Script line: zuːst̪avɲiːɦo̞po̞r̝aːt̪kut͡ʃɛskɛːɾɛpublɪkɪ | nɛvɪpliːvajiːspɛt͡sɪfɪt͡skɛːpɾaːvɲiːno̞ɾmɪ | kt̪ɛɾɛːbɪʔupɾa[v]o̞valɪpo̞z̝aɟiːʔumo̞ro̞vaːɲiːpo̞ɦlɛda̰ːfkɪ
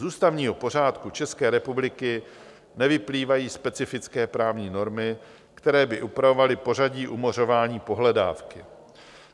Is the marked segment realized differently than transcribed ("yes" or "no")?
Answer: no